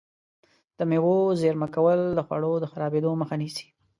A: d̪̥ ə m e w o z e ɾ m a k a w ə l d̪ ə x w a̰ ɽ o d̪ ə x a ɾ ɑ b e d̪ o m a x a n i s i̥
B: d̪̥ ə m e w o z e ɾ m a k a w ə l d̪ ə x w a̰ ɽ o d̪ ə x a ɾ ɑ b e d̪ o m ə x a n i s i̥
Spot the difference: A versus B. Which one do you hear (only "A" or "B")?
B